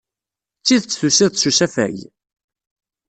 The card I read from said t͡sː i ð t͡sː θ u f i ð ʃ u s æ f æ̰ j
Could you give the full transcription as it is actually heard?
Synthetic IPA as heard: t͡sː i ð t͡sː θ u s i ð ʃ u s æ f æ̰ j